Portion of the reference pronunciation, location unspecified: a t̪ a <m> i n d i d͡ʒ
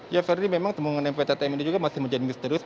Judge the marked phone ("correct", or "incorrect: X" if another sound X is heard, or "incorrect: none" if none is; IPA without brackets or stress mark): correct